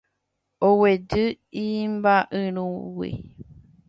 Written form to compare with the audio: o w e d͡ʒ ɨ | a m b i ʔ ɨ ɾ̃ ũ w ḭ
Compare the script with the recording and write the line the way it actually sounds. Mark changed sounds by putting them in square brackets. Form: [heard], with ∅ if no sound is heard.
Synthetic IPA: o w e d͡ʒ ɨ | [i] m b [a] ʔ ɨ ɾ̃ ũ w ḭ